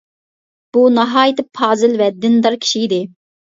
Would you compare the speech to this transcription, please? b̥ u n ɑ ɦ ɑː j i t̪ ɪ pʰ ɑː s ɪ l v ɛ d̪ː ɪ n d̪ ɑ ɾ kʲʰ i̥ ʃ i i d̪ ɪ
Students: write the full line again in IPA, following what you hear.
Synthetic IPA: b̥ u n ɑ ɦ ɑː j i t̪ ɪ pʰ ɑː z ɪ l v ɛ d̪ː ɪ n d̪ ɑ ɾ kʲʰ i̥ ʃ i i d̪ ɪ